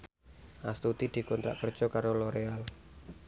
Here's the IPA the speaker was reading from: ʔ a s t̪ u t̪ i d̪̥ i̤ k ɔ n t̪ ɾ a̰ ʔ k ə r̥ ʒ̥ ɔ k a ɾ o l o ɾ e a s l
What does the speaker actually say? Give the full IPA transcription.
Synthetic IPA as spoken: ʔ a s t̪ u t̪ i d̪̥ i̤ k ɔ n t̪ ɾ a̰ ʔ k ə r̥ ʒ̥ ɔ k a ɾ o l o ɾ e a l